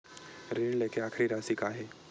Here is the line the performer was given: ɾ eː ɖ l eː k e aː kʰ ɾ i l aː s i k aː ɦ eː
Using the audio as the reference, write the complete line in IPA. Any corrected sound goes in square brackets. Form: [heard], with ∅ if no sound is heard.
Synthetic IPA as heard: ɾ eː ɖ l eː k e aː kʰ ɾ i [ɾ] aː s i k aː ɦ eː